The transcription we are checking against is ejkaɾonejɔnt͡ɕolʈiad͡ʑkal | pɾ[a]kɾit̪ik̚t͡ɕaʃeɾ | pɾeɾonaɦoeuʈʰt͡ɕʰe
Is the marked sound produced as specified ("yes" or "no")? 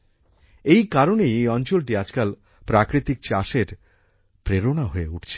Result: yes